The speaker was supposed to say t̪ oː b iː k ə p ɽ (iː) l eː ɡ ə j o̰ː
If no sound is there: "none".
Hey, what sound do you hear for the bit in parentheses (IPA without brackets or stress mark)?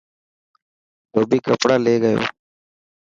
aː